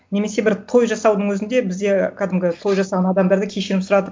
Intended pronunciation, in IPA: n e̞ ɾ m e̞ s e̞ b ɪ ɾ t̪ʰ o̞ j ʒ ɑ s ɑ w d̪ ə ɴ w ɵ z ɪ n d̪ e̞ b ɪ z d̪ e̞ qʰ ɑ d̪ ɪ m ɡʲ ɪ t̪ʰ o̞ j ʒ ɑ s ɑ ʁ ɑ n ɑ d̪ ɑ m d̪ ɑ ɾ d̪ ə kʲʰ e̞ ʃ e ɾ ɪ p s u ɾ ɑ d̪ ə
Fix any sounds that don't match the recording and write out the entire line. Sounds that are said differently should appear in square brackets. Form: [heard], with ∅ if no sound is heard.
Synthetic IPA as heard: n e̞ [∅] m e̞ s e̞ b ɪ ɾ t̪ʰ o̞ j ʒ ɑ s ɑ w d̪ ə ɴ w ɵ z ɪ n d̪ e̞ b ɪ z d̪ e̞ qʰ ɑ d̪ ɪ m ɡʲ ɪ t̪ʰ o̞ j ʒ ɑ s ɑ ʁ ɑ n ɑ d̪ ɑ m d̪ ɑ ɾ d̪ ə kʲʰ e̞ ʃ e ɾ ɪ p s [ʊ] ɾ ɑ d̪ ə